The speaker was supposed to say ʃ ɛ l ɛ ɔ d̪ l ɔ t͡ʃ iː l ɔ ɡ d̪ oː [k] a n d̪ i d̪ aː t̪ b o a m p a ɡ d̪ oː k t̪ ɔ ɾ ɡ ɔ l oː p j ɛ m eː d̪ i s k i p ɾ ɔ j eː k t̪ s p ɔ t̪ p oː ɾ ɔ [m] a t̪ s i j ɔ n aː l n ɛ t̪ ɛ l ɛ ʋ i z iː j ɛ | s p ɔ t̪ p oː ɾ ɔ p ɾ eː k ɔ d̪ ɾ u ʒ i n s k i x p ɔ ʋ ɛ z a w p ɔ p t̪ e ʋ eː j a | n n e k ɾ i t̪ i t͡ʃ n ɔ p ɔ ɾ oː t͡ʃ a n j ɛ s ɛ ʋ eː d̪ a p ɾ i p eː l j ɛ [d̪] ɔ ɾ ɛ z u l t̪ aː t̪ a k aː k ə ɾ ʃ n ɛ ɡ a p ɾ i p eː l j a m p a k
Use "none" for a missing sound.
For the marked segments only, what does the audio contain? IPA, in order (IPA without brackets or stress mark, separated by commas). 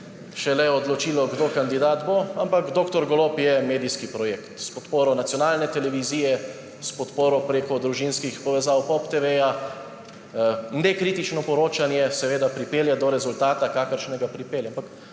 k, n, d̪